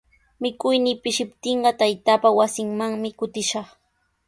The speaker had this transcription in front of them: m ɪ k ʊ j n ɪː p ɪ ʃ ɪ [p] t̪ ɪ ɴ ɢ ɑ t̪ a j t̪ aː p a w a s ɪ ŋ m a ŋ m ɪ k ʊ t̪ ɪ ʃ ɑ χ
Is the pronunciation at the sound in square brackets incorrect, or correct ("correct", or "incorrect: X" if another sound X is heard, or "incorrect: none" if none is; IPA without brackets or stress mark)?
correct